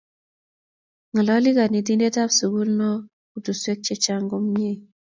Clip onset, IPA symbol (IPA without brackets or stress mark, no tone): ŋ